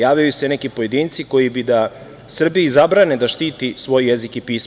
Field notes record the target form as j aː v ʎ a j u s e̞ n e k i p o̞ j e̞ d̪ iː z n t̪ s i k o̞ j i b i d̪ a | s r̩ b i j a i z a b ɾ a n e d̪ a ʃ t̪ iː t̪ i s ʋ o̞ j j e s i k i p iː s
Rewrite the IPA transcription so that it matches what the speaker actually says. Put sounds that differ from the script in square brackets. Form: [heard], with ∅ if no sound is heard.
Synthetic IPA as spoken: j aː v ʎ a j u s e̞ n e k i p o̞ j e̞ d̪ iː [∅] n t̪ s i k o̞ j i b i d̪ a | s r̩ b i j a i z a b ɾ a n e d̪ a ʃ t̪ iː t̪ i s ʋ o̞ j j e [z] i k i p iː s